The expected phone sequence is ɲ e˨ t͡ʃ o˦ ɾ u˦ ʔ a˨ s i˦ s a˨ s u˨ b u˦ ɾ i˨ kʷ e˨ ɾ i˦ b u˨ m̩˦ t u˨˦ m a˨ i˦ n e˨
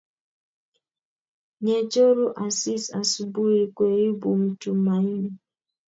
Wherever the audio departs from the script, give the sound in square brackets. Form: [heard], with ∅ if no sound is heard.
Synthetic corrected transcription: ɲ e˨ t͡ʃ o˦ ɾ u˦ ʔ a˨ s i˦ s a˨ s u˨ b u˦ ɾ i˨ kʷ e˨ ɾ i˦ b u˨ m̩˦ t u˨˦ m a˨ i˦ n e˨